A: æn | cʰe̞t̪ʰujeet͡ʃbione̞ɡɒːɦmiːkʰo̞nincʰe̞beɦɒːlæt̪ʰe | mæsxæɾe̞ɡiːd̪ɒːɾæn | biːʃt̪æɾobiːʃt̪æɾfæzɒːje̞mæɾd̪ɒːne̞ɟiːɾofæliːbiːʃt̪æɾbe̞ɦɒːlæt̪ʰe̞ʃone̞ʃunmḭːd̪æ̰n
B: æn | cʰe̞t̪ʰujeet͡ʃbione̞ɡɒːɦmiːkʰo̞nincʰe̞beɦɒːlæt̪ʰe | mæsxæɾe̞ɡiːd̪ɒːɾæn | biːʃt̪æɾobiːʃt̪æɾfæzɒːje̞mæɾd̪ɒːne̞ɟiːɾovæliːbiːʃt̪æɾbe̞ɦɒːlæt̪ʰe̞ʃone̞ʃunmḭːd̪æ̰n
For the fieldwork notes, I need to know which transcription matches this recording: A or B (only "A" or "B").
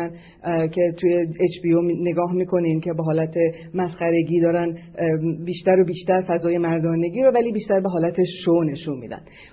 B